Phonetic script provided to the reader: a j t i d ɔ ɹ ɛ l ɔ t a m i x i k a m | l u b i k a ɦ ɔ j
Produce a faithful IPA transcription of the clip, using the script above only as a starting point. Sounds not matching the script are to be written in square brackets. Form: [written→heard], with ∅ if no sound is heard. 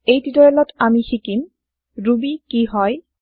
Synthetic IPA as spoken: [a→e] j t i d ɔ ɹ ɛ l ɔ t a m i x i k [a→i] m | [l→ɹ] u b i k [a→i] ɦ ɔ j